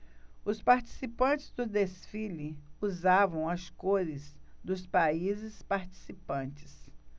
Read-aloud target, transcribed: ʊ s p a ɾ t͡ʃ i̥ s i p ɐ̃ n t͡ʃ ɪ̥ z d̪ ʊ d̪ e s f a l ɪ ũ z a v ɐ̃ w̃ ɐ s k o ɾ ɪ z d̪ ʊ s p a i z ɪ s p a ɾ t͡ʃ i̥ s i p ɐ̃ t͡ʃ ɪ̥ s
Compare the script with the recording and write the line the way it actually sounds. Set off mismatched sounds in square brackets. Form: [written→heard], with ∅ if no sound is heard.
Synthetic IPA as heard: ʊ s p a ɾ t͡ʃ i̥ s i p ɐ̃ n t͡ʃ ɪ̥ z d̪ ʊ d̪ e s f [a→i] l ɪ [ũ→u] z a v ɐ̃ w̃ ɐ s k o ɾ ɪ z d̪ ʊ s p a i z ɪ s p a ɾ t͡ʃ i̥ s i p ɐ̃ t͡ʃ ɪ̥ s